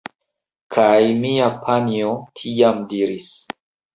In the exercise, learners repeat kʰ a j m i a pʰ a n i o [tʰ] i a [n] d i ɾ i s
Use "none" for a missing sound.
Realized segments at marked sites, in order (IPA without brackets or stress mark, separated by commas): tʰ, m